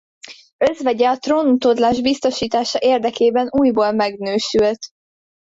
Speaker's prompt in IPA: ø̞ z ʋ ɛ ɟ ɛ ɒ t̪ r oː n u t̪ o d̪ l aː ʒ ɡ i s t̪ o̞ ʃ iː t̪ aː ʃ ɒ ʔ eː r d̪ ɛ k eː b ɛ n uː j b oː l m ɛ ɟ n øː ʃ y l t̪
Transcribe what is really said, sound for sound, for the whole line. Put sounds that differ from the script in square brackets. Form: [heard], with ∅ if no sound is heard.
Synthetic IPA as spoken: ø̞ z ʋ ɛ ɟ ɛ ɒ t̪ r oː n u t̪ o d̪ l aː ʒ [b] i s t̪ o̞ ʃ iː t̪ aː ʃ ɒ ʔ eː r d̪ ɛ k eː b ɛ n uː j b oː l m ɛ [ɡ] n øː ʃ y l t̪